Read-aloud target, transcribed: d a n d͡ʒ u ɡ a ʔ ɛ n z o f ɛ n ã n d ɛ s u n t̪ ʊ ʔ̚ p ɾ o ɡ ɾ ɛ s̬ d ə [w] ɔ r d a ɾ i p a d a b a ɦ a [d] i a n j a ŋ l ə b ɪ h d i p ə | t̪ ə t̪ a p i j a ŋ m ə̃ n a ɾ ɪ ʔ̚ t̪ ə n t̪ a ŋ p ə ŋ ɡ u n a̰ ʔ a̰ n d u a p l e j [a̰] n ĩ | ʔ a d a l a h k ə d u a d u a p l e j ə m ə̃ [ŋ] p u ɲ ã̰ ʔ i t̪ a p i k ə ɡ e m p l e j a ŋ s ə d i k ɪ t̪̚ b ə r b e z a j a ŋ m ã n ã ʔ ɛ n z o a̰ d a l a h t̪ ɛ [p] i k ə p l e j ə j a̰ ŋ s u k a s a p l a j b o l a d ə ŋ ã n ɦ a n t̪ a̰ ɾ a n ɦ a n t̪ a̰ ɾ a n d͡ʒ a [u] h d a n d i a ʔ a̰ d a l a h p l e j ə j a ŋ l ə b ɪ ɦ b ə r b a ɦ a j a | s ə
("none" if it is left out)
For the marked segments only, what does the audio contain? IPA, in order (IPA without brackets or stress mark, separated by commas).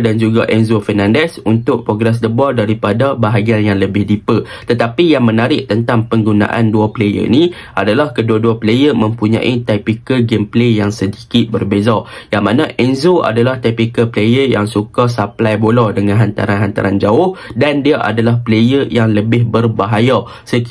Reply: b, ɡ, ə̰, m, p, ʊ